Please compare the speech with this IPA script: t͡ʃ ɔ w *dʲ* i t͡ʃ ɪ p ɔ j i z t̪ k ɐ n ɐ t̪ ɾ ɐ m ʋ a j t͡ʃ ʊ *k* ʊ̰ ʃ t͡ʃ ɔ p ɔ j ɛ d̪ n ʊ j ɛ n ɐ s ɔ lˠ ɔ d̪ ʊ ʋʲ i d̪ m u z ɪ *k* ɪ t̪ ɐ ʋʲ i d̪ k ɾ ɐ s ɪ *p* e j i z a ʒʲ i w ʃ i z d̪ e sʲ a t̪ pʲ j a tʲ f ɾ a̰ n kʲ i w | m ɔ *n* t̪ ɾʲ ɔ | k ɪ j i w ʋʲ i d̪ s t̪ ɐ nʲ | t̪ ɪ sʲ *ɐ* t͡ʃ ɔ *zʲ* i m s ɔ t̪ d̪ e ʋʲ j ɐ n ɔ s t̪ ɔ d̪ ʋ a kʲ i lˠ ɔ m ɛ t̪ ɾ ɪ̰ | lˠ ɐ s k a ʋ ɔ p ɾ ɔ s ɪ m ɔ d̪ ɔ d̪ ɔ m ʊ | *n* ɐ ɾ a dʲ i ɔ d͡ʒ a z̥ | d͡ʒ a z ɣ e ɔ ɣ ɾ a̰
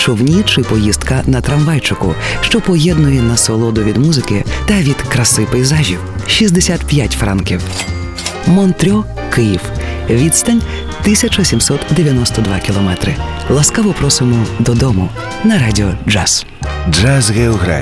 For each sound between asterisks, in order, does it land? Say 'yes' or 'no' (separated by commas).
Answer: no, yes, yes, yes, yes, yes, no, yes